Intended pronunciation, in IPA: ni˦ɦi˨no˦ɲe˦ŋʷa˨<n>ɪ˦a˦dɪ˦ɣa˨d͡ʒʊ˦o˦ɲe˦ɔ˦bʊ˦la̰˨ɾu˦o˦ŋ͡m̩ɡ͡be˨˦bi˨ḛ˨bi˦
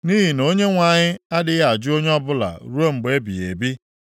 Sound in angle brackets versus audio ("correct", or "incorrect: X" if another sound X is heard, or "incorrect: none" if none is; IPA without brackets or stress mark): incorrect: ɲ